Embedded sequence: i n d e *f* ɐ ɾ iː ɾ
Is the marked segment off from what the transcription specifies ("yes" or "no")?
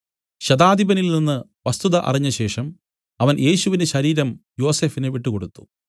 yes